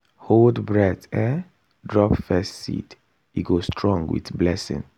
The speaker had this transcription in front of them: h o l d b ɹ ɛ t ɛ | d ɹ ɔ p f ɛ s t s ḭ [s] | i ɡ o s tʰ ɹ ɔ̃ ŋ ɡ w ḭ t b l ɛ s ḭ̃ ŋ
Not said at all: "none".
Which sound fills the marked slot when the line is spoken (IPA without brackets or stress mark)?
t